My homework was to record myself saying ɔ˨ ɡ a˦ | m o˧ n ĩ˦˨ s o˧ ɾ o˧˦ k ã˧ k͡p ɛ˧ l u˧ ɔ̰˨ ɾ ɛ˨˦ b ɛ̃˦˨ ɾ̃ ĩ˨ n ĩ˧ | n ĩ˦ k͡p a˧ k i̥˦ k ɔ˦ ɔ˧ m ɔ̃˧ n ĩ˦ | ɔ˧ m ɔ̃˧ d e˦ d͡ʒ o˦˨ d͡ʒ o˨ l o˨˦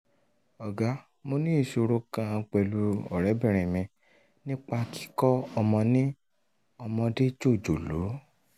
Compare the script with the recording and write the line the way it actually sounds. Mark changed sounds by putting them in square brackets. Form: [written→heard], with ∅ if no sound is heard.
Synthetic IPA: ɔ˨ ɡ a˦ | m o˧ n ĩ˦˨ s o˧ ɾ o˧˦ k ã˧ k͡p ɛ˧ l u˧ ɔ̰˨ ɾ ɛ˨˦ b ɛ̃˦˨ ɾ̃ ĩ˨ [n→m] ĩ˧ | n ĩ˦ k͡p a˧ k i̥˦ k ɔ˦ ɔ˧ m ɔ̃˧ n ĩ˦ | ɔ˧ m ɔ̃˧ d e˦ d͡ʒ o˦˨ d͡ʒ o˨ l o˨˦